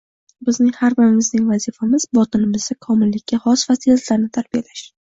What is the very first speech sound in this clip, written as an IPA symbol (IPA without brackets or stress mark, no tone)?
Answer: b